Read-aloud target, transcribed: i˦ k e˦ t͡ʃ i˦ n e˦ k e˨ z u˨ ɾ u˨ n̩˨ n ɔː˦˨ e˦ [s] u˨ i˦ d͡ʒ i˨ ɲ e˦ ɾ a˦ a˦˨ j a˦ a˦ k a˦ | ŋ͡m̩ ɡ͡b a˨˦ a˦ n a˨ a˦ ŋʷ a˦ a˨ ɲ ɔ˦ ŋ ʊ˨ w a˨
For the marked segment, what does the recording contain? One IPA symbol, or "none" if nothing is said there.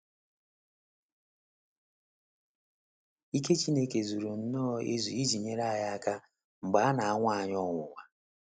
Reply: z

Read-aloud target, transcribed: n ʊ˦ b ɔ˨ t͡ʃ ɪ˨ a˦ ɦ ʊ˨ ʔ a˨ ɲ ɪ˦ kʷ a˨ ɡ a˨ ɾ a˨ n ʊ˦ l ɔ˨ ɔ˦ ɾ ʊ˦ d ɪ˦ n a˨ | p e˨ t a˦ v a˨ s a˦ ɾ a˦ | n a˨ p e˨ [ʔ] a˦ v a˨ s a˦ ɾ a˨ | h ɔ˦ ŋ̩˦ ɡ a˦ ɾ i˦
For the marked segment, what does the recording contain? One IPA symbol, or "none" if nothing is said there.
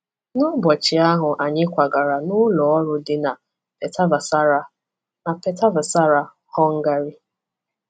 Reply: t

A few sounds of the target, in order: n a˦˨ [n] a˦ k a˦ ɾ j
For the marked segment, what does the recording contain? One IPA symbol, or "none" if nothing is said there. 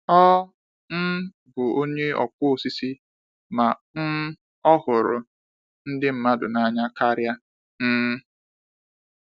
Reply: ɲ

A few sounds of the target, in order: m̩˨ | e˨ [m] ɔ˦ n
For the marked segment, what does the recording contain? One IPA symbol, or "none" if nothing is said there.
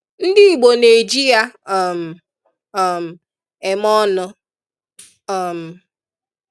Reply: m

